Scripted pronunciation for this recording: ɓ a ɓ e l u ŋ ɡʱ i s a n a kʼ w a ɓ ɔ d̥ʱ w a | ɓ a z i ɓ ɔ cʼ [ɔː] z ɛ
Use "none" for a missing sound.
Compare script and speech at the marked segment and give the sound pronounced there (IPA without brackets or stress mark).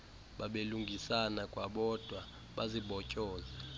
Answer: ɔː